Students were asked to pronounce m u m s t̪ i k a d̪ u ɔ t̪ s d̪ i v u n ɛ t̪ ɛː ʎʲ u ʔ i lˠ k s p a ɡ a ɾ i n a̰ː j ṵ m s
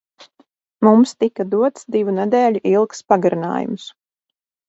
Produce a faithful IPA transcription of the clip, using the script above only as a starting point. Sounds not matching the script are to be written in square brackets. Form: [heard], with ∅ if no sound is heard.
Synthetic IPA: m u m s t̪ i k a d̪ u ɔ t̪ s d̪ i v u n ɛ [d̪] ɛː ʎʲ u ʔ i lˠ k s p a ɡ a ɾ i n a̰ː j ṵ m s